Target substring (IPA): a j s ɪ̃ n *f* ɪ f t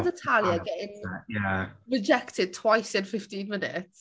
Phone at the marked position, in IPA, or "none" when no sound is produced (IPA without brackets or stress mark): f